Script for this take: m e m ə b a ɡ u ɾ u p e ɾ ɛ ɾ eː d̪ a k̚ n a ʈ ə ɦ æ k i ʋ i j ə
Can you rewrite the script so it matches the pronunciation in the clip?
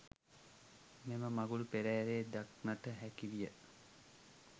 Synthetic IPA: m e m ə m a ɡ u l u p e ɾ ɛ ɾ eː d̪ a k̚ n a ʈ ə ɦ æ k i ʋ i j ə